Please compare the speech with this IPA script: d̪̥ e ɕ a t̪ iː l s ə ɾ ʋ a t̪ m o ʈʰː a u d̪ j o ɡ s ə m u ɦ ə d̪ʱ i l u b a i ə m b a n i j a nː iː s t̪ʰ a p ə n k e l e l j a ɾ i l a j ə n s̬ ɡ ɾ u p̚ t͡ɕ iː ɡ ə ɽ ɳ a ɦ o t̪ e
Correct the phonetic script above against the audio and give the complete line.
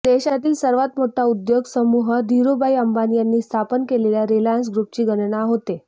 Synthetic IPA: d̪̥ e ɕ a t̪ iː l s ə ɾ ʋ a t̪ m o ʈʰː a u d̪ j o ɡ s ə m u ɦ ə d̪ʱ i ɾ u b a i ə m b a n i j a nː iː s t̪ʰ a p ə n k e l e l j a ɾ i l a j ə n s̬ ɡ ɾ u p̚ t͡ɕ iː ɡ ə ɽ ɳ a ɦ o t̪ e

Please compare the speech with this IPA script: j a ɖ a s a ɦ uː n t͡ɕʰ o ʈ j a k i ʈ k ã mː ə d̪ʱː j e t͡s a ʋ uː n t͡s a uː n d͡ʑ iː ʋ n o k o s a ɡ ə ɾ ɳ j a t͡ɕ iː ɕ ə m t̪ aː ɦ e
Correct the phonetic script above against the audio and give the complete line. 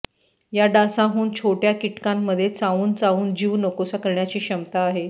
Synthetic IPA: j a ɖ a s a ɦ uː n t͡ɕʰ o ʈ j a k i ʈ k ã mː ə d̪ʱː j e t͡s a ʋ uː n t͡s a uː n d͡ʑ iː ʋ n o k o s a k ə ɾ ɳ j a t͡ɕ iː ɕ ə m t̪ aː ɦ e

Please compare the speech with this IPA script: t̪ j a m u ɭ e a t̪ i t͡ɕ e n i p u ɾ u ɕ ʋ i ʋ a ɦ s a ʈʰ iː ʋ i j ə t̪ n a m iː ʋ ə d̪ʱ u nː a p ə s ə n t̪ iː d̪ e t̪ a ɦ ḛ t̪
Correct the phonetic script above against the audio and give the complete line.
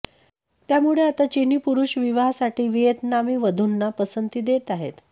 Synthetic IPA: t̪ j a m u ɭ e a t̪ a t͡ɕ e n i p u ɾ u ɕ ʋ i ʋ a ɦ s a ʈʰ iː ʋ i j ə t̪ n a m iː ʋ ə d̪ʱ u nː a p ə s ə n t̪ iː d̪ e t̪ a ɦ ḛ t̪

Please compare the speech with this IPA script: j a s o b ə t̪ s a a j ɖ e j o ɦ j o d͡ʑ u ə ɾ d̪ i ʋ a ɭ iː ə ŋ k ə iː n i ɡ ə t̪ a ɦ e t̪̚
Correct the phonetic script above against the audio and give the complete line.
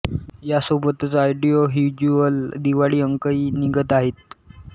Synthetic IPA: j a s o b ə t̪ t͡s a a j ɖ i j o ɦ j u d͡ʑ u ə l d̪ i ʋ a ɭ iː ə ŋ k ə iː n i ɡ ə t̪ a ɦ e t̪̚

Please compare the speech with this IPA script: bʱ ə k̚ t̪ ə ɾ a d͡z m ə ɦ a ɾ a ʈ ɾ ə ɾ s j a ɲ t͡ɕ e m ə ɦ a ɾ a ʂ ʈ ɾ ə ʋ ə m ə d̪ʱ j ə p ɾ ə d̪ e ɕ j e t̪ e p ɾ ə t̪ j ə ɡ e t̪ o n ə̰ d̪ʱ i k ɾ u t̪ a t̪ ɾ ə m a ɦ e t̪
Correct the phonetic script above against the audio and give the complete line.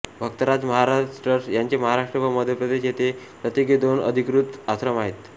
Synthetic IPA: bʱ ə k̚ t̪ ə ɾ a d͡z m ə ɦ a ɾ a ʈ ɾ ə ɾ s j a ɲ t͡ɕ e m ə ɦ a ɾ a ʂ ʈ ɾ ə ʋ ə m ə d̪ʱ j ə p ɾ ə d̪ e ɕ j e t̪ e p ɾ ə t̪ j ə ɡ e d̪ o n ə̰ d̪ʱ i k ɾ u t̪ a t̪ ɾ ə m a ɦ e t̪

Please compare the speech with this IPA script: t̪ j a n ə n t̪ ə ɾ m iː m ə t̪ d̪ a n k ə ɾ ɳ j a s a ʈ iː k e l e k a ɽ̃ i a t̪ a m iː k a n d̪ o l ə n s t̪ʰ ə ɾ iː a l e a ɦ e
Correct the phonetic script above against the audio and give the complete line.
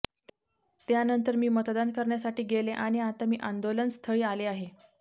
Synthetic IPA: t̪ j a n ə n t̪ ə ɾ m iː m ə t̪ d̪ a n k ə ɾ ɳ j a s a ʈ iː ɡ e l e ʔ a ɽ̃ i a t̪ a m iː ʔ a n d̪ o l ə n s t̪ʰ ə ɭ iː a l e a ɦ e

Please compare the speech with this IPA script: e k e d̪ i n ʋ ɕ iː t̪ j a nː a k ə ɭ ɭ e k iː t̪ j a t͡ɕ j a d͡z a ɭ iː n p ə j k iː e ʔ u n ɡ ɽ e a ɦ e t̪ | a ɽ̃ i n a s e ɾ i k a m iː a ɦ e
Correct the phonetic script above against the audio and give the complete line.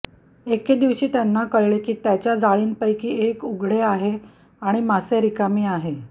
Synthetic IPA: e k e d̪ i ʋ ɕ iː t̪ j a nː a k ə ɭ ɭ e k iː t̪ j a t͡ɕ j a d͡z a ɭ iː n p ə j k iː e k u ɡ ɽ e a ɦ e | a ɽ̃ i m a s e ɾ i k a m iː a ɦ e

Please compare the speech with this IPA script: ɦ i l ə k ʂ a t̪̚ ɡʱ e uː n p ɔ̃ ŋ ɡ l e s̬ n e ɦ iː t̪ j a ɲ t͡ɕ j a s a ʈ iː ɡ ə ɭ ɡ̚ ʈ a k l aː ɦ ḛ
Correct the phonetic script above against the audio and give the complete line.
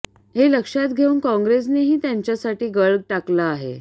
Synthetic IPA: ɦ e l ə k ʂ a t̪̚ ɡʱ e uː n k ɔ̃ ŋ ɡ ɾ e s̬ n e ɦ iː t̪ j a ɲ t͡ɕ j a s a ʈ iː ɡ ə ɭ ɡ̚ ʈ a k l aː ɦ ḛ

